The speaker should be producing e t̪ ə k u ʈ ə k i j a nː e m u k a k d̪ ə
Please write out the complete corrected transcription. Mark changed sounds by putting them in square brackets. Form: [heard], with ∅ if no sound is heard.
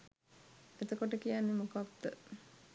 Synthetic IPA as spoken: e t̪ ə k [o] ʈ ə k i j a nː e m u k a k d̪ ə